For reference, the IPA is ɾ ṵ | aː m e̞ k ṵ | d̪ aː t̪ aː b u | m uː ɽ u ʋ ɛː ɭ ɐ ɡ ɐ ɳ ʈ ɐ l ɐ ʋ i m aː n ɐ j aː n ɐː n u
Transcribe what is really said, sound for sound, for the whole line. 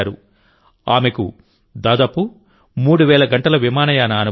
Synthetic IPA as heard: ɾ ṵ | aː m e̞ k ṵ | d̪ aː d̪ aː p u | m uː ɽ u ʋ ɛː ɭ ɐ ɡ ɐ ɳ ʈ ɐ l ɐ ʋ i m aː n ɐ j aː n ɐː n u